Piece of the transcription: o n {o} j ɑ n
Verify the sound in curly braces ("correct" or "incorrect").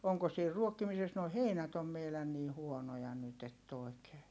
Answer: correct